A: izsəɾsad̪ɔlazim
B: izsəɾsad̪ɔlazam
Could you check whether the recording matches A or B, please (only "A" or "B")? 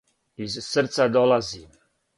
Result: A